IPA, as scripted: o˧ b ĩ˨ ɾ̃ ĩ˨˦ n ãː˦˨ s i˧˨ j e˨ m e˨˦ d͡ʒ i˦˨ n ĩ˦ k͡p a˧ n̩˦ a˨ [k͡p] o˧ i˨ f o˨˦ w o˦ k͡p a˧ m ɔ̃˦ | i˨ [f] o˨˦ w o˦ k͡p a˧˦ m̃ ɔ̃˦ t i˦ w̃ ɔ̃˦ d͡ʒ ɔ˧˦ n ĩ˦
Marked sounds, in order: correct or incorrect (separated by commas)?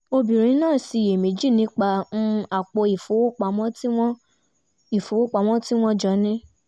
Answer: correct, correct